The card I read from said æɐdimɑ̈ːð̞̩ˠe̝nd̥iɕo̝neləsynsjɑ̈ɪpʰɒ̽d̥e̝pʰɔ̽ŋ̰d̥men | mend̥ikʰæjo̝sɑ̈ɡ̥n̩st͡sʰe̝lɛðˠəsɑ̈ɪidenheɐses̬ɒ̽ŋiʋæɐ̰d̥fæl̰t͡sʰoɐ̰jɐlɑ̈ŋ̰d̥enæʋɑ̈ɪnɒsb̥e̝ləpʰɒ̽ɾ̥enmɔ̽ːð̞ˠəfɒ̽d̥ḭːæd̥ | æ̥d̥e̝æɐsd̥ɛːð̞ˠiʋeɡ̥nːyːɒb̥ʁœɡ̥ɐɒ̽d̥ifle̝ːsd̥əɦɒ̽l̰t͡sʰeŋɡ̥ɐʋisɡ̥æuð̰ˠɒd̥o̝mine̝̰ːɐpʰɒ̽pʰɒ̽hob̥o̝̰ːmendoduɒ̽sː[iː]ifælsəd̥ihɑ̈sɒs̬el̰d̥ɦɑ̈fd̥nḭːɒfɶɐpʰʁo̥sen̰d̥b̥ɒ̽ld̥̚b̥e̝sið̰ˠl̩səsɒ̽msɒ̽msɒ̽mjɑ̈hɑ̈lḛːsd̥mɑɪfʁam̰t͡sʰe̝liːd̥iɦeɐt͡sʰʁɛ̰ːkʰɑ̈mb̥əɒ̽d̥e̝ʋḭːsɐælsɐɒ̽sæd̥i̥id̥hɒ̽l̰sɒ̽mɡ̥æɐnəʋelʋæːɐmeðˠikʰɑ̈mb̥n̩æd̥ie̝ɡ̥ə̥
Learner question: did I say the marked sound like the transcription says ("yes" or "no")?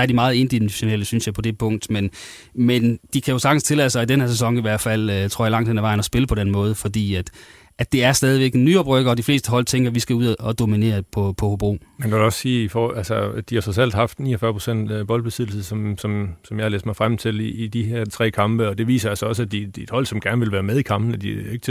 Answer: yes